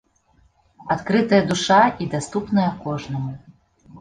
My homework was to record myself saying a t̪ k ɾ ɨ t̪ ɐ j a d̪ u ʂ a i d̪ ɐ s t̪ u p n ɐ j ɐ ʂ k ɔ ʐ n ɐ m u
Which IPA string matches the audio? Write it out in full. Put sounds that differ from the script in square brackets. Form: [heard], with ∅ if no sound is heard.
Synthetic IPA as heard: a t̪ k ɾ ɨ t̪ ɐ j [ɐ] d̪ u ʂ a i d̪ [a] s t̪ u p n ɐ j ɐ [∅] k ɔ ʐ n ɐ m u